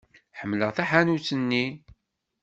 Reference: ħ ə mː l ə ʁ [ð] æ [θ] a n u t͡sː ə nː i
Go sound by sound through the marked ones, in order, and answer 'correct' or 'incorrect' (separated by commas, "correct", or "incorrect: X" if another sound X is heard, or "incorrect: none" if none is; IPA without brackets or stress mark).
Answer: incorrect: θ, incorrect: ħ